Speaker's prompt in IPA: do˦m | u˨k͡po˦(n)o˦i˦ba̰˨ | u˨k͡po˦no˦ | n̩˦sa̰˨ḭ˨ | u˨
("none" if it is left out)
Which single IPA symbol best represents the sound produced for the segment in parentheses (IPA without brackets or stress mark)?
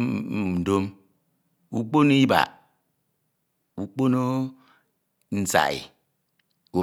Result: n